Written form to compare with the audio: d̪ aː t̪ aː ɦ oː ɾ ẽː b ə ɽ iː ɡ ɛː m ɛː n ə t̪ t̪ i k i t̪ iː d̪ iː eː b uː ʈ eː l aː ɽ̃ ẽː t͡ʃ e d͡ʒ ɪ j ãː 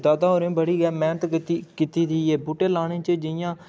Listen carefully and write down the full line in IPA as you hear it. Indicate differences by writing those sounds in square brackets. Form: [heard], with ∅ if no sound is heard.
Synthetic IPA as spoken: d̪ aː [d̪] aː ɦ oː ɾ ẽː b ə ɽ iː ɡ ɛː m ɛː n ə t̪ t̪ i k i t̪ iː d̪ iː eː b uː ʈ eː l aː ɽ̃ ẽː t͡ʃ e d͡ʒ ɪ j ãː